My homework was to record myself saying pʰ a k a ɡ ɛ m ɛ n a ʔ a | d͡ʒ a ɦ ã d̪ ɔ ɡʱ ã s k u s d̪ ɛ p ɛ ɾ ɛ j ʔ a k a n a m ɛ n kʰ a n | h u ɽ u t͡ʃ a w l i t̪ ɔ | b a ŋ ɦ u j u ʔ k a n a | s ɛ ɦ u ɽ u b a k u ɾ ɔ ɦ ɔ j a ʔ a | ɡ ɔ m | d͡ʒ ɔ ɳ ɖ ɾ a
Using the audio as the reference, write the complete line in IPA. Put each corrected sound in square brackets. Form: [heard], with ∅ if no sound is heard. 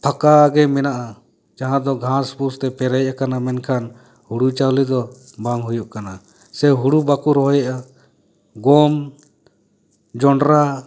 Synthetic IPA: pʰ a k a ɡ ɛ m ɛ n a ʔ a | d͡ʒ a ɦ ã d̪ ɔ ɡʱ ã s [p] u s [t̪] ɛ p ɛ ɾ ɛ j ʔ a k a n a m ɛ n kʰ a n | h u ɽ u t͡ʃ a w l i [d̪] ɔ | b a ŋ ɦ u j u ʔ k a n a | s ɛ ɦ u ɽ u b a k u ɾ ɔ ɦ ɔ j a ʔ a | ɡ ɔ m | d͡ʒ ɔ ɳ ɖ ɾ a